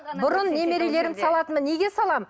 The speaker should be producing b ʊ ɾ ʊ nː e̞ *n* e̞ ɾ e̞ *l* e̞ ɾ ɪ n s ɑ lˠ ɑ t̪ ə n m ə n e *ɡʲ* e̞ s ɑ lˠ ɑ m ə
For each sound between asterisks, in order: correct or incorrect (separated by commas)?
incorrect, correct, correct